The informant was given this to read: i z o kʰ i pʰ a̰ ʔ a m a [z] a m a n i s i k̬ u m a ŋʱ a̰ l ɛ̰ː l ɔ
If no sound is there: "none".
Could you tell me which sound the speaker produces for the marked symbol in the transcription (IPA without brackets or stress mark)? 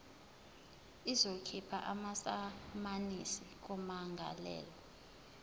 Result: s